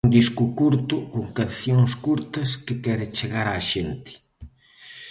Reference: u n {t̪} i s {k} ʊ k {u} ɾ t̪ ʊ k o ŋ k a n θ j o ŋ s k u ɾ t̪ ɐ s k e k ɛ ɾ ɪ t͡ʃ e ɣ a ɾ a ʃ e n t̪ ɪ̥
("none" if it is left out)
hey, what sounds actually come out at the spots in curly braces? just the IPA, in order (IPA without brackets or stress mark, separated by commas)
d̪, k, u